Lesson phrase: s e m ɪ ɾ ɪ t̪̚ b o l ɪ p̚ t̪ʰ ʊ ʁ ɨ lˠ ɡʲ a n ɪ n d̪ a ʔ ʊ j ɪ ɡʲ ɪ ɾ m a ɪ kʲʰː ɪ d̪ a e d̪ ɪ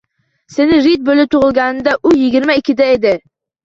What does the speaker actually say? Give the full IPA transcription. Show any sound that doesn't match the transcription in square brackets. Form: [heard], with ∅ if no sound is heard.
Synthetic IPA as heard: s e [n] ɪ ɾ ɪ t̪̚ b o l ɪ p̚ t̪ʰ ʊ ʁ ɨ lˠ ɡʲ a n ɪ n d̪ a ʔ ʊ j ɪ ɡʲ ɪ ɾ m a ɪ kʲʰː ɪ d̪ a e d̪ ɪ